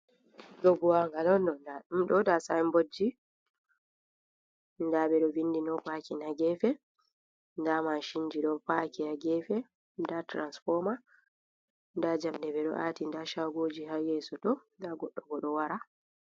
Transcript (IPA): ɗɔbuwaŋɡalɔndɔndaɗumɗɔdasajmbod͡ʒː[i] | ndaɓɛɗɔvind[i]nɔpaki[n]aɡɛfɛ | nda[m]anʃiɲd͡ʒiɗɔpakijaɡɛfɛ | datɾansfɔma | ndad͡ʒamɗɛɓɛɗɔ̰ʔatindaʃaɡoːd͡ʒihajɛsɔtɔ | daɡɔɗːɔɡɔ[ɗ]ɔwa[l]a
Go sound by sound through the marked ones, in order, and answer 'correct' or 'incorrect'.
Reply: correct, correct, correct, correct, correct, incorrect

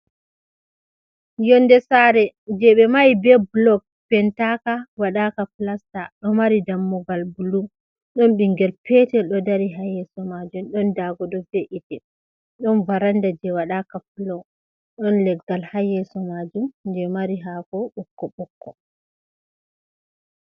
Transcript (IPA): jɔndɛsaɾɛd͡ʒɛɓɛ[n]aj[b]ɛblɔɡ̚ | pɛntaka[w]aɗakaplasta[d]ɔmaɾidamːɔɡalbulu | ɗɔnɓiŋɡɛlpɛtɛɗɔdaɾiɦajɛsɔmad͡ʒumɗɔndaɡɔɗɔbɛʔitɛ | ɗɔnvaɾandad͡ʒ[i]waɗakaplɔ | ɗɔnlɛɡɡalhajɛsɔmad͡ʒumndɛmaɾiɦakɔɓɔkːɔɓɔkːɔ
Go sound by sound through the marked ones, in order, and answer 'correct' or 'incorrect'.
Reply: incorrect, correct, correct, incorrect, incorrect

